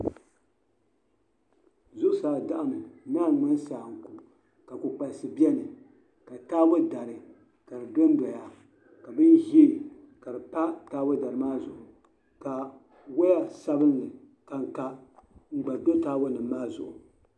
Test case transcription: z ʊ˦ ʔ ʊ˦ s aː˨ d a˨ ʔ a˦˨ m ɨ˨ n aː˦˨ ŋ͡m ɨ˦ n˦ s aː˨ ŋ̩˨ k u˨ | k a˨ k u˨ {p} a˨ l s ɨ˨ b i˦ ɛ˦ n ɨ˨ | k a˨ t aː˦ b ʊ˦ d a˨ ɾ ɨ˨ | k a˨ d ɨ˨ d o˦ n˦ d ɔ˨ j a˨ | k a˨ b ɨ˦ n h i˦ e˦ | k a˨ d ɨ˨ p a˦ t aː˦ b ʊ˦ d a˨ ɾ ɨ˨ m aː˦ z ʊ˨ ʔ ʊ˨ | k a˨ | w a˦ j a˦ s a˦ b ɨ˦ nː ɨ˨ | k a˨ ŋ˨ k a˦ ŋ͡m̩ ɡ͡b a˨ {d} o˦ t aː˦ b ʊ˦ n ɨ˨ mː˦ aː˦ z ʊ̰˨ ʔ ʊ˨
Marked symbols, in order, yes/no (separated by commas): no, yes